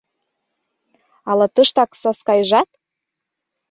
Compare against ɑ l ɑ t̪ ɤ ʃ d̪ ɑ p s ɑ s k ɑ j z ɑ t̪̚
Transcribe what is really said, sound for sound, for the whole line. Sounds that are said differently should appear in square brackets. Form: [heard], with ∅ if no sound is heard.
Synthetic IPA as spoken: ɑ l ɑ t̪ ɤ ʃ [t̪] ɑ [k] s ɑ s k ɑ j [ʒ] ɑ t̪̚